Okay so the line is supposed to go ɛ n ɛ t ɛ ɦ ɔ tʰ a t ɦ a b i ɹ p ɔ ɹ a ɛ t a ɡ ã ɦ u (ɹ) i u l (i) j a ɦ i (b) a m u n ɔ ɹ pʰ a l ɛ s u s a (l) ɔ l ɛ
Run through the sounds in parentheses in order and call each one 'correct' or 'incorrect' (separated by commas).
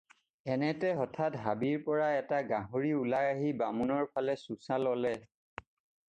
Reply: correct, incorrect, correct, correct